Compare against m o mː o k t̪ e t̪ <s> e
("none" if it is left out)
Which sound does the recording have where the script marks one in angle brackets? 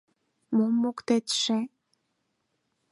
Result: ʃ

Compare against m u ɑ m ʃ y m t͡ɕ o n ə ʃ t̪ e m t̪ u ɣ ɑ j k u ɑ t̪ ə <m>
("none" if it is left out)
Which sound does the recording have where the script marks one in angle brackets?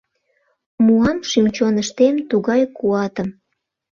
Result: m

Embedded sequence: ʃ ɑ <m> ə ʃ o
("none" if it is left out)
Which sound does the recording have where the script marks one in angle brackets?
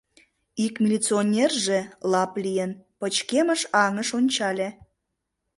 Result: ŋ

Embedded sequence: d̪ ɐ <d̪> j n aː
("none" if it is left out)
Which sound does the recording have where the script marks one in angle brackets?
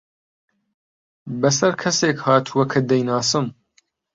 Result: none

